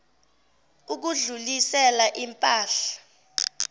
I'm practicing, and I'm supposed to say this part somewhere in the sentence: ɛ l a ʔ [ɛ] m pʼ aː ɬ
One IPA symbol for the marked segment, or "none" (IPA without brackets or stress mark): i